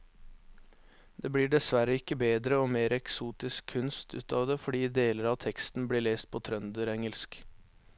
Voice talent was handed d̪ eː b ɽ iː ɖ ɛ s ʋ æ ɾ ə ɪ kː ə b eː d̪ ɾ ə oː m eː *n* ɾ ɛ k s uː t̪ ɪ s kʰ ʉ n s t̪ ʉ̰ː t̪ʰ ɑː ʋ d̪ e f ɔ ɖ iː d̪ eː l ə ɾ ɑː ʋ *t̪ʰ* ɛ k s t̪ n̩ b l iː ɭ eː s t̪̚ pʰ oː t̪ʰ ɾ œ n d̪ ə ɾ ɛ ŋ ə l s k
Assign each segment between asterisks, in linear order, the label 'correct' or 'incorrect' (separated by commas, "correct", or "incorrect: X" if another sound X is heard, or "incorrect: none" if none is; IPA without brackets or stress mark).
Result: incorrect: none, correct